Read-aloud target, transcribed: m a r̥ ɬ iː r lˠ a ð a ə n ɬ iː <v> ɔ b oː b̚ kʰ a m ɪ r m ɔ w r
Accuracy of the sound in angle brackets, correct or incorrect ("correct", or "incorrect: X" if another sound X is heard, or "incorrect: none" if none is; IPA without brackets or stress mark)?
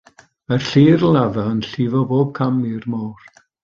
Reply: correct